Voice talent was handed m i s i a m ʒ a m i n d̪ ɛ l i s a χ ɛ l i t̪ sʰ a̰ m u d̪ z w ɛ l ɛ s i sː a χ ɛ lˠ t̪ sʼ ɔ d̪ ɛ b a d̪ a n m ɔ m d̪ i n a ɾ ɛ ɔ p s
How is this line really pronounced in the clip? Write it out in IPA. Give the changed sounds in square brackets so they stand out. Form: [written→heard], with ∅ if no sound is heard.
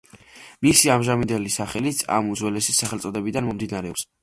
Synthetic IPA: m i s i a m ʒ a m i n d̪ ɛ l i s a χ ɛ l i t̪ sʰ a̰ m u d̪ z w ɛ l ɛ s i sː a χ ɛ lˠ t̪ sʼ ɔ d̪ ɛ b [a→i] d̪ a n m ɔ m d̪ i n a ɾ ɛ ɔ p s